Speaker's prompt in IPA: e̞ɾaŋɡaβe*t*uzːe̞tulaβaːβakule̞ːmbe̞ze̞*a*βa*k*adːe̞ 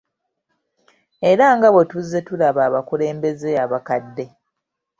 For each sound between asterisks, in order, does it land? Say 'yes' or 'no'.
yes, yes, yes

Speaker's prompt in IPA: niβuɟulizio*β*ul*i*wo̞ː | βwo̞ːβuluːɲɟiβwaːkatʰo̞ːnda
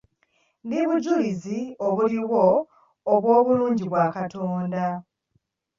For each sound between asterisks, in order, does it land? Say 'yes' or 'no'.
yes, yes

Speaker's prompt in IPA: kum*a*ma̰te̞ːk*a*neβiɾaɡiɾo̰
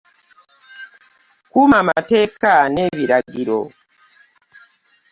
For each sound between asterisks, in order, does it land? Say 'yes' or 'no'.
yes, yes

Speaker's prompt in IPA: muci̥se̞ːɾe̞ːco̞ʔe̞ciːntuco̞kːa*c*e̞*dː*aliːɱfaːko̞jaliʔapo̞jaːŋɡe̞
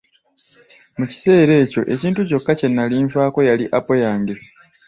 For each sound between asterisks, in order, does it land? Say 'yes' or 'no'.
yes, no

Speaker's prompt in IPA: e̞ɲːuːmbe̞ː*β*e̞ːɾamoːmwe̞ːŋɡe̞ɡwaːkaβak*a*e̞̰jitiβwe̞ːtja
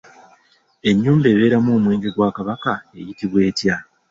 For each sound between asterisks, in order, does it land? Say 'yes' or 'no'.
yes, yes

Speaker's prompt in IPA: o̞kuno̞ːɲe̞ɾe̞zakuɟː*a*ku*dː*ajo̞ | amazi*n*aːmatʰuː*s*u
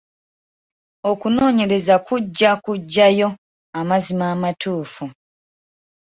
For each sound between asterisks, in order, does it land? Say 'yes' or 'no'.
yes, no, no, no

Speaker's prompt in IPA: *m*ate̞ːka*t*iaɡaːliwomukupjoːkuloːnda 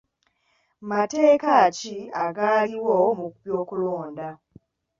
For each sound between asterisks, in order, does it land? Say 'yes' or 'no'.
yes, no

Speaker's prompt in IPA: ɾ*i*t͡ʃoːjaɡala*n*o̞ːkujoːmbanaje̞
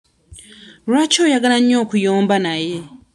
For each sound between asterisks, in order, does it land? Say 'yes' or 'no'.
no, no

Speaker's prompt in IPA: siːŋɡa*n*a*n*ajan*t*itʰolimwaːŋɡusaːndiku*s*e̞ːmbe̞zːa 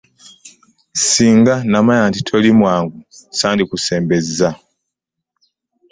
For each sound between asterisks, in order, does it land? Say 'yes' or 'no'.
yes, no, yes, yes

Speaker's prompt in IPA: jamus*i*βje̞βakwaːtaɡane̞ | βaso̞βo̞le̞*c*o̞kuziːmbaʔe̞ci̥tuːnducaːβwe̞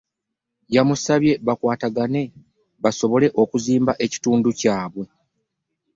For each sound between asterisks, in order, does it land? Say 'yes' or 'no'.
no, no

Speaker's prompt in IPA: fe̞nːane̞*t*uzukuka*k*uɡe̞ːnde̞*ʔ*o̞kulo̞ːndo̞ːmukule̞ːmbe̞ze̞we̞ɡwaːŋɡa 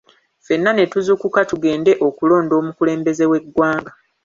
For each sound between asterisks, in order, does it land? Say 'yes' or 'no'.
yes, no, yes

